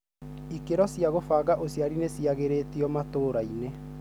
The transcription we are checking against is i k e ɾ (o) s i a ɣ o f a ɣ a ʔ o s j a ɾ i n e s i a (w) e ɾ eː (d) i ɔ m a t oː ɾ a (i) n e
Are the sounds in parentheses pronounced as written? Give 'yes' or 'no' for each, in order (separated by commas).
no, no, no, yes